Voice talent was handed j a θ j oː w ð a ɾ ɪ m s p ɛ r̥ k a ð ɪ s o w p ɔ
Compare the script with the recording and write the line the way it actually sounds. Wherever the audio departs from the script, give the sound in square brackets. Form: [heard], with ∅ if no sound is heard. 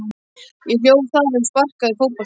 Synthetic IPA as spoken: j [ɛ] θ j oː w [θ] a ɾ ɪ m s p [a] r̥ k a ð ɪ [f] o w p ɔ